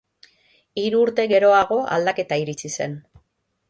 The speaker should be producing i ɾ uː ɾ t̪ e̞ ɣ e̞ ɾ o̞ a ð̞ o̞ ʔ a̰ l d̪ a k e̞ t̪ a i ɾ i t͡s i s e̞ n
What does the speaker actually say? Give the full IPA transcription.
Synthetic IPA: i ɾ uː ɾ t̪ e̞ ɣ e̞ ɾ o̞ a ɣ̞ o̞ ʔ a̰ l d̪ a k e̞ t̪ a i ɾ i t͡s i s e̞ n